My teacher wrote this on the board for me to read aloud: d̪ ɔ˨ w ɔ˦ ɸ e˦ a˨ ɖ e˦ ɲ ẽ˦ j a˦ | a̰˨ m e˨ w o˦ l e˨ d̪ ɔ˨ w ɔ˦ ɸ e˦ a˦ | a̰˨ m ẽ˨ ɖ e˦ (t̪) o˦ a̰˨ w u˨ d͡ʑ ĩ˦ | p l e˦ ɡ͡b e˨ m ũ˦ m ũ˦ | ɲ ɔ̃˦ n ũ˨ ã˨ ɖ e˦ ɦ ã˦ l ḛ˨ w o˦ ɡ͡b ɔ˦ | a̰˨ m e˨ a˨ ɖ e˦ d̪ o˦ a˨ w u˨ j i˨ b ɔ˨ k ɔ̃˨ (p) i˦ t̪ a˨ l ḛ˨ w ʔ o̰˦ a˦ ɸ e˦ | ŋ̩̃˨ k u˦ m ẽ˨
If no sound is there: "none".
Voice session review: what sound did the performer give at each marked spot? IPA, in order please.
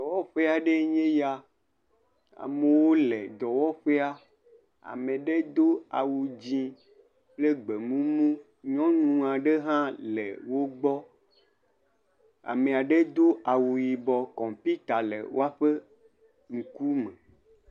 d̪, p

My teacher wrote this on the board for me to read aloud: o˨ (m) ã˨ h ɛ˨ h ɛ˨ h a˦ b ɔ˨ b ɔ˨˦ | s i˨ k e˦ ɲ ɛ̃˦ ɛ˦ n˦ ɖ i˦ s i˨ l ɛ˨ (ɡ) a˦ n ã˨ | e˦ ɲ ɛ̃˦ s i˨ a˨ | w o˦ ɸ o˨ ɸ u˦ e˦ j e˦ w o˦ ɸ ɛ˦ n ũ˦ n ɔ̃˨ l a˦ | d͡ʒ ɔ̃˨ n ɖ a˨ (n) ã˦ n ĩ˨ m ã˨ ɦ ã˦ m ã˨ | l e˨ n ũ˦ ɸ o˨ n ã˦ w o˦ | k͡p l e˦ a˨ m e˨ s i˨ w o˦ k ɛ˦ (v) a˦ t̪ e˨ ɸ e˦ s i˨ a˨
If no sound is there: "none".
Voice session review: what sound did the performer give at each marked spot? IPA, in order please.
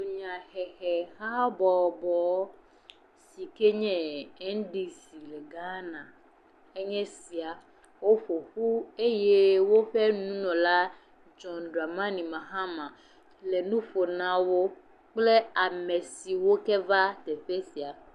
ɲ, ɡ, m, v

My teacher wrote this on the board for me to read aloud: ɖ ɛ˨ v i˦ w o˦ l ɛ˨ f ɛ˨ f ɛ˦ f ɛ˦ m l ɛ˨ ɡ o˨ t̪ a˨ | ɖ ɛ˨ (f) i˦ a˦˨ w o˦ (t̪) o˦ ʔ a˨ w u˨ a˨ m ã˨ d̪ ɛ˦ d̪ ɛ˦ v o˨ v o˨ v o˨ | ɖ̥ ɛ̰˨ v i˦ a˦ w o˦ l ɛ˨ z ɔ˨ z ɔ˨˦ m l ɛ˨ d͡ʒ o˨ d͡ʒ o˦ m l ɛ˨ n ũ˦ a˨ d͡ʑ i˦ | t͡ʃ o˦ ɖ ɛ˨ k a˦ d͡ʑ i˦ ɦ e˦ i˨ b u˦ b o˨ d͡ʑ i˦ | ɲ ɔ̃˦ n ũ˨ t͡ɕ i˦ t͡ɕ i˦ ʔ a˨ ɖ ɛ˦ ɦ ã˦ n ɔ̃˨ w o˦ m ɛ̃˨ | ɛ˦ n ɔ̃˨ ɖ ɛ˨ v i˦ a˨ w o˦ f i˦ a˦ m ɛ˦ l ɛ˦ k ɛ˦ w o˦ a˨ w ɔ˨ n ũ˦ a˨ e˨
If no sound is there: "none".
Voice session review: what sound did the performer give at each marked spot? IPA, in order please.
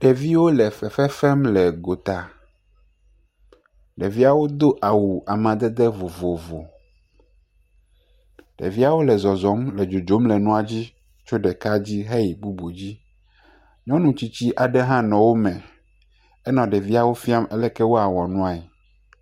v, d̪

